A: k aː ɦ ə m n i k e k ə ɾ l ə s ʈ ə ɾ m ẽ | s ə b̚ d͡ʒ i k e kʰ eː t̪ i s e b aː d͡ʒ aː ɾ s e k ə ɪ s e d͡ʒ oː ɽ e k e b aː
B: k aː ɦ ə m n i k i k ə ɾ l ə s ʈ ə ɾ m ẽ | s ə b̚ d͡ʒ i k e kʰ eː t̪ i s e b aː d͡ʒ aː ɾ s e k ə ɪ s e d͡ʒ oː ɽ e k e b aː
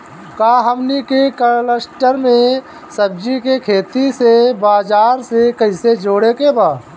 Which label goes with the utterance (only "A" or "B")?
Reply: A